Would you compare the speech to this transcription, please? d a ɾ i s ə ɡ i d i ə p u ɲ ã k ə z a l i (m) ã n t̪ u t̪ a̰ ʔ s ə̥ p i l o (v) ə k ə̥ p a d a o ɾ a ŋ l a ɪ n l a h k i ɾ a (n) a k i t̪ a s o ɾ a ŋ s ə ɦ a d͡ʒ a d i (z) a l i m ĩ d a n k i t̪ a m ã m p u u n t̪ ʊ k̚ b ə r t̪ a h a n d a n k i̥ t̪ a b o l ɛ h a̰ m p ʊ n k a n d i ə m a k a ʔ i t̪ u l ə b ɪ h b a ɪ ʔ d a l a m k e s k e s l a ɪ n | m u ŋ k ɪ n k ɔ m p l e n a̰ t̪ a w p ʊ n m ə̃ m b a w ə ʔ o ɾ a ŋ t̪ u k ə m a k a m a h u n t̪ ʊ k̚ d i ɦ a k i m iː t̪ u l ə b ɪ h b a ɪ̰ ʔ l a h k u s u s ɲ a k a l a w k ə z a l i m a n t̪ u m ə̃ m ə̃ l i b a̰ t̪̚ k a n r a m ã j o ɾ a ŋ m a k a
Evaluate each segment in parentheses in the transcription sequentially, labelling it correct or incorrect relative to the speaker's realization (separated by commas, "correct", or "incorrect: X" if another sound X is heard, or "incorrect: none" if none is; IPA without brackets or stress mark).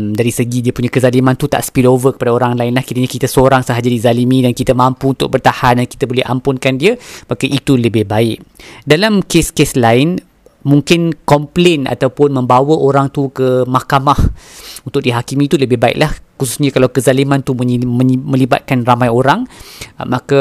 correct, correct, incorrect: ɲ, correct